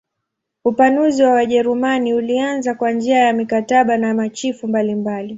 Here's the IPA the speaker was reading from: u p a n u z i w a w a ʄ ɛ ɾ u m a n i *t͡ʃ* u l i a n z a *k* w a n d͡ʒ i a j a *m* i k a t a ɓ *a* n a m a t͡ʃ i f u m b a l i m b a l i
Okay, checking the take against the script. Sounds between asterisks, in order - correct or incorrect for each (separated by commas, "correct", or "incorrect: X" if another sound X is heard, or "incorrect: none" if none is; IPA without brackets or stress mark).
incorrect: none, correct, correct, correct